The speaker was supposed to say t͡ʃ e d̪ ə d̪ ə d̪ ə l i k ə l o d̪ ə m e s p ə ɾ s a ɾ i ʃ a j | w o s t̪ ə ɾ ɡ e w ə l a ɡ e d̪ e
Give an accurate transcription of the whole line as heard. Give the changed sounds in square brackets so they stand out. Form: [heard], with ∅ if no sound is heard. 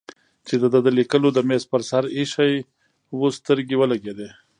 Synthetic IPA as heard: t͡ʃ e d̪ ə d̪ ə d̪ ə l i k ə l o d̪ ə m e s p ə ɾ s a ɾ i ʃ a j | w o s t̪ ə ɾ ɡ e w ə l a ɡ e d̪ e